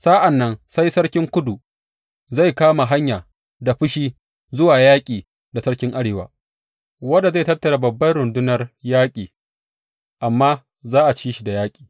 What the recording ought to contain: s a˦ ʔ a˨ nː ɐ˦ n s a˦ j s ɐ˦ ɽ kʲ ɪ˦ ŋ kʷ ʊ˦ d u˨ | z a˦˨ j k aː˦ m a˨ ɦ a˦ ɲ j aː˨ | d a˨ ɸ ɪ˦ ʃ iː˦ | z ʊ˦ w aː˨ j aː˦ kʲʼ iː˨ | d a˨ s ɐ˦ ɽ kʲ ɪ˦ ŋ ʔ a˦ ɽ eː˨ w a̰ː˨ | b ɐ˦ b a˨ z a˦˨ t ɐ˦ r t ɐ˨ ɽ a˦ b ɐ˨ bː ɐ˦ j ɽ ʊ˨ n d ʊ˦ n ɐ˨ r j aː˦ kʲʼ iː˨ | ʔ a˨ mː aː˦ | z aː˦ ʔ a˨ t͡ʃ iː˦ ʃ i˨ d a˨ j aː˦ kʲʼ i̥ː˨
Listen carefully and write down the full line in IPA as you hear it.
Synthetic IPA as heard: s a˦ ʔ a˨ nː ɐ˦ n s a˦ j s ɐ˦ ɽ kʲ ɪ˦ ŋ kʷ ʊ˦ d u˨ | z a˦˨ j k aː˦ m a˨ ɦ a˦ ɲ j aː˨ | d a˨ ɸ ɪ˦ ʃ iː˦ | z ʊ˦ w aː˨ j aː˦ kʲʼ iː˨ | d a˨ s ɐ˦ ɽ kʲ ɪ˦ ŋ ʔ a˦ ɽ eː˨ w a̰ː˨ | w ɐ˦ d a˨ z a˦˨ t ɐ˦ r t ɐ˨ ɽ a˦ b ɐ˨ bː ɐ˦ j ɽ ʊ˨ n d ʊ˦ n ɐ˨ r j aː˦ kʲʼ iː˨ | ʔ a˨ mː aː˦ | z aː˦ ʔ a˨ t͡ʃ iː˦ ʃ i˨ d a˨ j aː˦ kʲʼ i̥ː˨